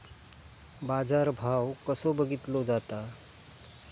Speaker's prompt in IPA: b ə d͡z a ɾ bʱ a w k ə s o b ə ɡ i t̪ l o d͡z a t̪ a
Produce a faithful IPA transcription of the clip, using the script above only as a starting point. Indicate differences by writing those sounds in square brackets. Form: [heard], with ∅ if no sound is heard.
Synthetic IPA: b [a] d͡z a ɾ bʱ a w k ə s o b ə ɡ i t̪ l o d͡z a t̪ a